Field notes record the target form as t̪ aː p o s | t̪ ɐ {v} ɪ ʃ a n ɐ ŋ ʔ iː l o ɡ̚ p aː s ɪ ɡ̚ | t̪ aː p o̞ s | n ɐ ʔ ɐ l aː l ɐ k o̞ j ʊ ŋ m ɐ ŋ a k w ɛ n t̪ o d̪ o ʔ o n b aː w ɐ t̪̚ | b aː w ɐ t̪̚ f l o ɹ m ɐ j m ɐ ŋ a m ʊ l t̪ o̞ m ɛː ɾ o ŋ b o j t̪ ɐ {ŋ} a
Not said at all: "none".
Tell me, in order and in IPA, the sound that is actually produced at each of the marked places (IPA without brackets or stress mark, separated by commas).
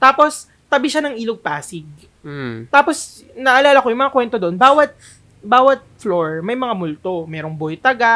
b, ɡ